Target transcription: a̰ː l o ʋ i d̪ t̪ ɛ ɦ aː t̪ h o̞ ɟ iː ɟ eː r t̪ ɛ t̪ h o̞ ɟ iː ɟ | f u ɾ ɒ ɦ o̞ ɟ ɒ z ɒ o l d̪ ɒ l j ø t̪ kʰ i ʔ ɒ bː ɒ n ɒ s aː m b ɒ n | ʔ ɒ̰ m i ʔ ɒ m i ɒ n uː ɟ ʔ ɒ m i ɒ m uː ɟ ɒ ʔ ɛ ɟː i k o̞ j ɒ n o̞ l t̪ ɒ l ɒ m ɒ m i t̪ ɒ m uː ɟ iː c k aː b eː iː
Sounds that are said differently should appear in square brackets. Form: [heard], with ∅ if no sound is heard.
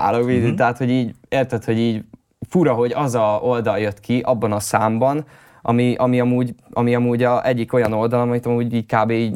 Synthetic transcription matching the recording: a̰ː l o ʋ i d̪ t̪ ɛ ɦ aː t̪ h o̞ ɟ iː ɟ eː r t̪ ɛ t̪ h o̞ ɟ iː ɟ | f u ɾ ɒ ɦ o̞ ɟ ɒ z ɒ o l d̪ ɒ l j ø t̪ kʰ i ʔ ɒ bː ɒ n ɒ s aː m b ɒ n | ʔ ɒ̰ m i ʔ ɒ m i ɒ [m] uː ɟ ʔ ɒ m i ɒ m uː ɟ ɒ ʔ ɛ ɟː i k o̞ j ɒ n o̞ l [d̪] ɒ l ɒ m ɒ m i t̪ ɒ m uː ɟ iː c k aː b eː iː